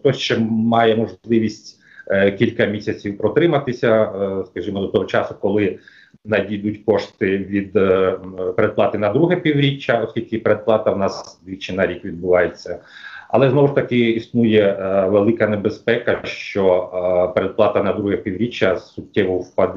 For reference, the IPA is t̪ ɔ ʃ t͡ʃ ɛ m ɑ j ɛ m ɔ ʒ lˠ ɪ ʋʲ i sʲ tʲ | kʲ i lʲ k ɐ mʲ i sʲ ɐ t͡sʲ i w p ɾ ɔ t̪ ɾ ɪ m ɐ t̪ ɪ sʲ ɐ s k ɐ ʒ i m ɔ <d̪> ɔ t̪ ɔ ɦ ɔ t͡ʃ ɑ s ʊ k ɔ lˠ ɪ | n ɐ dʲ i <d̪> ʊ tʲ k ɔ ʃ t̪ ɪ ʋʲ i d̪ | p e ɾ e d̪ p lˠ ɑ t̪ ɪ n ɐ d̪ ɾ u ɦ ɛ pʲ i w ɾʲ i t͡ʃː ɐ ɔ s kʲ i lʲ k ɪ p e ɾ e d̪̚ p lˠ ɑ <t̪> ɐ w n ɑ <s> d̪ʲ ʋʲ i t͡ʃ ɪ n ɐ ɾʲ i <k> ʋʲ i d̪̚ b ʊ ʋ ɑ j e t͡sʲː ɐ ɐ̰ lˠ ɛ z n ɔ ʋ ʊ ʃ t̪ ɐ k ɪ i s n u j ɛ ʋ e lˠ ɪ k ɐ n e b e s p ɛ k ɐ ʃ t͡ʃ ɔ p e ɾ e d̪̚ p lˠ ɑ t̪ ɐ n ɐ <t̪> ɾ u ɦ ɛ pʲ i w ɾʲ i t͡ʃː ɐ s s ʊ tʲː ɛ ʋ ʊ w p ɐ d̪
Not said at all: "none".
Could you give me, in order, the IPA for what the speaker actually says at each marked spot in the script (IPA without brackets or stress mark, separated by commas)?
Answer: d̪, d̪, t̪, s, k, d̪